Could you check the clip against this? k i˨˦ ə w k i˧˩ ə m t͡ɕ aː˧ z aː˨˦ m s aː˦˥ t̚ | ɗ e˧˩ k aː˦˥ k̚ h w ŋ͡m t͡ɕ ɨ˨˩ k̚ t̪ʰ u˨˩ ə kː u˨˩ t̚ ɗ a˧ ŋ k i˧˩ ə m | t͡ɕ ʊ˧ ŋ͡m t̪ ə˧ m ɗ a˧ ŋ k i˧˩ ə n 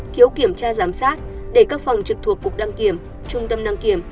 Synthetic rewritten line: k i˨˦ ə w k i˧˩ ə m t͡ɕ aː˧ z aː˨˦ m s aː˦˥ t̚ | ɗ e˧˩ k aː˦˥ k̚ f w ŋ͡m t͡ɕ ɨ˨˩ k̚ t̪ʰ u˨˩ ə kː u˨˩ k̚ ɗ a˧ ŋ k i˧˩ ə m | t͡ɕ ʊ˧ ŋ͡m t̪ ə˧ m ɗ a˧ ŋ k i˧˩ ə m